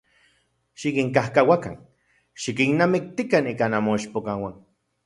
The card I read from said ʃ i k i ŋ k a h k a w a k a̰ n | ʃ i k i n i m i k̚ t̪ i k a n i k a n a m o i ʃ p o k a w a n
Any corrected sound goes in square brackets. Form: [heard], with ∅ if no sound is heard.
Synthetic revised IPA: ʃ i k i ŋ k a h k a w a k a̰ n | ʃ i k i n [a] m i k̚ t̪ i k a n i k a n a m o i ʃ p o k a w a n